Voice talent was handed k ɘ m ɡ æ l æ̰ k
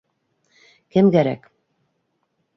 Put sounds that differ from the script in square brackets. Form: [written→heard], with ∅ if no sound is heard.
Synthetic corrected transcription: k ɘ m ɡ æ [l→ɾ] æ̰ k